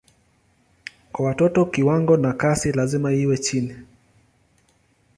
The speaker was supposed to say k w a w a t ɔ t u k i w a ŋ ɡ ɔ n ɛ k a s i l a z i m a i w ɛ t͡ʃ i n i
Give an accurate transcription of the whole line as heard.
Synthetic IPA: k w a w a t ɔ t ɔ k i w a ŋ ɡ ɔ n a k a s i l a z i m a i w ɛ t͡ʃ i n i